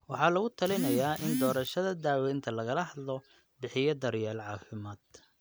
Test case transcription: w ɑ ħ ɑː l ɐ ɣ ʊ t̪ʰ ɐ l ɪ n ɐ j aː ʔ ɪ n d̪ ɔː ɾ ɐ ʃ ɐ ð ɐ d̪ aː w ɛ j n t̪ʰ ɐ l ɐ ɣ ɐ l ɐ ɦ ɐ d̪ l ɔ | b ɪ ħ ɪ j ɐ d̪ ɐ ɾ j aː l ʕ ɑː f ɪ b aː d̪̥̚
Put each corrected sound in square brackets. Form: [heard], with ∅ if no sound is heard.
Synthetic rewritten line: w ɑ ħ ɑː l ɐ ɣ ʊ t̪ʰ ɐ l ɪ n ɐ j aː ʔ ɪ n d̪ ɔː ɾ ɐ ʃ ɐ ð ɐ d̪ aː w ɛ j n t̪ʰ ɐ l ɐ ɣ ɐ l ɐ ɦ ɐ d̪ l ɔ | b ɪ ħ ɪ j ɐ d̪ ɐ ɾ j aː l ʕ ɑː f ɪ [m] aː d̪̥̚